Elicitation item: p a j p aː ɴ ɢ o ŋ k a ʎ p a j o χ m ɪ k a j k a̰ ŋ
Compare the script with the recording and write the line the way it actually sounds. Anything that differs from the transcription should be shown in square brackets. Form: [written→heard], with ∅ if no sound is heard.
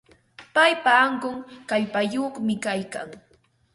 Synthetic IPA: p a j p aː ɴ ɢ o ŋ k a ʎ p a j o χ m ɪ k a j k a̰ ŋ